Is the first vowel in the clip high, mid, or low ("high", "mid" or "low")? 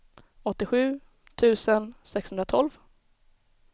mid